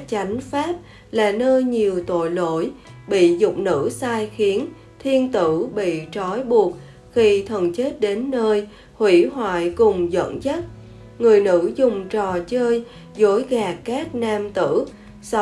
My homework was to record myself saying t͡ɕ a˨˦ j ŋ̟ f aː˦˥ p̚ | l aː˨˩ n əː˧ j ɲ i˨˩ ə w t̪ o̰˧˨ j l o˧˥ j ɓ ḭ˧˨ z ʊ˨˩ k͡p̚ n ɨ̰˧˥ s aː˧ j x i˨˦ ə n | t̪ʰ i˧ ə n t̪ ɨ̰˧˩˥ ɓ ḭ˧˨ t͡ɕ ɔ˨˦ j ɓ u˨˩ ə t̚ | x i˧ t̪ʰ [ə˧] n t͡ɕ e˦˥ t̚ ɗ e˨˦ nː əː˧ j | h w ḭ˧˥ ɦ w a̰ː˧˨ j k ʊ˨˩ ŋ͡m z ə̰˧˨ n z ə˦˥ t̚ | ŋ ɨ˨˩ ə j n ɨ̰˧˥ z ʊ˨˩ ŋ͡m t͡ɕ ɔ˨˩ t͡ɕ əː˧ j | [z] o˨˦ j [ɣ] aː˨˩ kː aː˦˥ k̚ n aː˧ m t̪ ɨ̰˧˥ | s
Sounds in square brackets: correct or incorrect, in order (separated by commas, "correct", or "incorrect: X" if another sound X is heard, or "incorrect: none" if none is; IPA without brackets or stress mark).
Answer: incorrect: ə˨˩, correct, correct